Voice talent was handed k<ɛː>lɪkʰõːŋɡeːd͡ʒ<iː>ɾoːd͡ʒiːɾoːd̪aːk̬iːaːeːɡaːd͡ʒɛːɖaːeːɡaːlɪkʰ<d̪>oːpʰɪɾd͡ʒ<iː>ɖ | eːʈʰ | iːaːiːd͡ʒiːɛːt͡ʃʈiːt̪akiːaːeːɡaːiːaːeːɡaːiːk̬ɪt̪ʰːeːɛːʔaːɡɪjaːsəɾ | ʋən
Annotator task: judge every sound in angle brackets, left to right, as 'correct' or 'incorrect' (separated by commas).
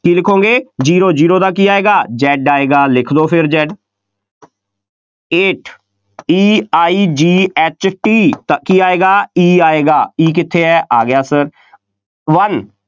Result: incorrect, correct, correct, incorrect